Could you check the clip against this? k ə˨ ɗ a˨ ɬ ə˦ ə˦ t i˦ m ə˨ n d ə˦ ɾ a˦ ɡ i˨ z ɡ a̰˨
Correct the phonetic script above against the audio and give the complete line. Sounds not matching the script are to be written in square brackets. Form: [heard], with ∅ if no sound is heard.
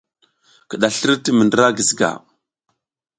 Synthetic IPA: k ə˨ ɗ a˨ ɬ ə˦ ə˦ t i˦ m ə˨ n d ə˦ ɾ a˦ ɡ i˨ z ɡ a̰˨